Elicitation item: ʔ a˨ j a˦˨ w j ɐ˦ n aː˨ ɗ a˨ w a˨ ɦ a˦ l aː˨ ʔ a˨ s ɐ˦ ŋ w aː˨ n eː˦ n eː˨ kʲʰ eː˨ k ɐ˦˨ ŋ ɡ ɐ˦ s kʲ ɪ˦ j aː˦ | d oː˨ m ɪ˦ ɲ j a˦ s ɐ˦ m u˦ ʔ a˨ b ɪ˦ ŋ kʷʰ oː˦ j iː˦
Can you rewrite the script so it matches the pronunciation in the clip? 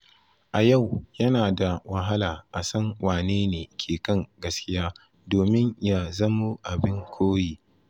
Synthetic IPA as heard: ʔ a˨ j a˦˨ w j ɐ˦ n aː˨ d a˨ w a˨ ɦ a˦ l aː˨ ʔ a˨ s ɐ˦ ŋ w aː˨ n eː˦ n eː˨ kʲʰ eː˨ k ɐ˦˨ ŋ ɡ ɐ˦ s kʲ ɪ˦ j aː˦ | d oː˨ m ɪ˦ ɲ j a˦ z ɐ˦ m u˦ ʔ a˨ b ɪ˦ ŋ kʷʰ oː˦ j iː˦